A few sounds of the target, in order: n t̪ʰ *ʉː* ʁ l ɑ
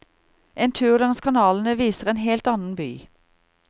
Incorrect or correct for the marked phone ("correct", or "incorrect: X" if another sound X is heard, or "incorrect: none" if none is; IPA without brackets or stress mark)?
correct